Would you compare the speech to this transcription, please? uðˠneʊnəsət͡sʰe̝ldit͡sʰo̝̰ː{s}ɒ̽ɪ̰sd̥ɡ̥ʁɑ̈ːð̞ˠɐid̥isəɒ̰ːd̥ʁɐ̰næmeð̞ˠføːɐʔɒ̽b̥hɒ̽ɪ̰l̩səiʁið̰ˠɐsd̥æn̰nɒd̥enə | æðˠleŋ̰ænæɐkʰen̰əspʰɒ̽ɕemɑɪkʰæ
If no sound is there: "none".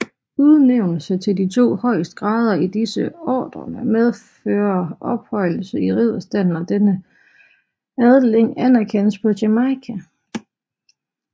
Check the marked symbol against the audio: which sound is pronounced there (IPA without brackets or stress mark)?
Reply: h